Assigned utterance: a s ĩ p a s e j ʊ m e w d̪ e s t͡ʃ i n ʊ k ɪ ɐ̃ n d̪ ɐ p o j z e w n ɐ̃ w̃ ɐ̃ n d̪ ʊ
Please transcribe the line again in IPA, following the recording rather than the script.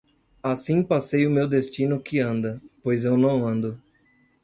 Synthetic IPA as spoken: a s ĩ p a s e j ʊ m e w d̪ e s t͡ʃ i n ʊ k ɪ ɐ̃ n d̪ ɐ p o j z e w n ɐ̃ w̃ ɐ̃ n d̪ ʊ